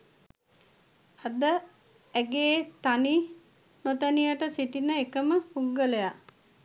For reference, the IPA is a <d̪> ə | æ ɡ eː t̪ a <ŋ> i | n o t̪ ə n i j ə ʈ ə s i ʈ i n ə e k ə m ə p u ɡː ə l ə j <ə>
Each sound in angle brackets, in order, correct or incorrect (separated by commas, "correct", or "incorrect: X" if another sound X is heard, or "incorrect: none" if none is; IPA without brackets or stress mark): correct, incorrect: n, incorrect: a